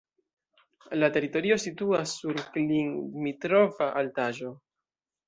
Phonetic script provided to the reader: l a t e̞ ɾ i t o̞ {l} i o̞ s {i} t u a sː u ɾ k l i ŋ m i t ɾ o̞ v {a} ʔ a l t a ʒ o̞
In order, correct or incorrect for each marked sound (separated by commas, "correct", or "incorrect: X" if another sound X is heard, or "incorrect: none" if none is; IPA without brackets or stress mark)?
incorrect: ɾ, correct, correct